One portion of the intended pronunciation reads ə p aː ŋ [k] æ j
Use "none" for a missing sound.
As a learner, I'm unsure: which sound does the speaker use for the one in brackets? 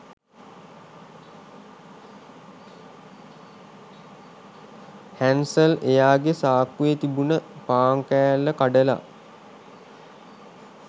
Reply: k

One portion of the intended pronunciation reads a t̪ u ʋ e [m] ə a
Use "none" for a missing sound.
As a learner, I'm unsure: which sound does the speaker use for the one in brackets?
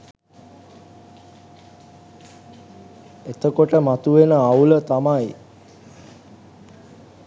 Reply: n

